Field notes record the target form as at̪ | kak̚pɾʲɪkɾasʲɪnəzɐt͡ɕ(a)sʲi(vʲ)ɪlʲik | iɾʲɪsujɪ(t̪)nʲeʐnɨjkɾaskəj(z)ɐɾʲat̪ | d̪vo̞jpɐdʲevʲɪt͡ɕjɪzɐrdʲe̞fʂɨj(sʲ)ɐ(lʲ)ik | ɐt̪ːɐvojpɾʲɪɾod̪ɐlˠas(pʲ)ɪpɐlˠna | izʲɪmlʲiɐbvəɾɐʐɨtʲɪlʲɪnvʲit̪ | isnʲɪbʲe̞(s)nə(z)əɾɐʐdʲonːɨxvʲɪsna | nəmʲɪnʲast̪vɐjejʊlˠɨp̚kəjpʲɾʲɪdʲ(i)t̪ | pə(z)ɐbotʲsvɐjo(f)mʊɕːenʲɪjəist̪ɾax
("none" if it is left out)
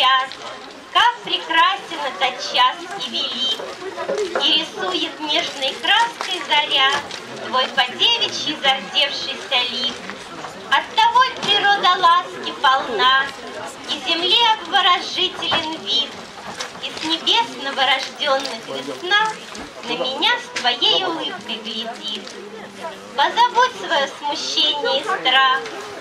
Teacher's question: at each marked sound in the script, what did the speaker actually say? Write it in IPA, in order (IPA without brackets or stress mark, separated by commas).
a, vʲ, t̪, z, sʲ, lʲ, kʲ, s, v, i, z, s